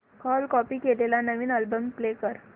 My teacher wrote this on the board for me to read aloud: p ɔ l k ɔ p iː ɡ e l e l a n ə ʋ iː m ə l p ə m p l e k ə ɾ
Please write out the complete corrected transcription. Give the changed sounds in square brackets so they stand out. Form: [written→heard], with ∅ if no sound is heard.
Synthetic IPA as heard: [p→k] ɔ l k ɔ p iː [ɡ→k] e l e l a n ə ʋ iː [m→n] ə l [p→b] ə m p l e k ə ɾ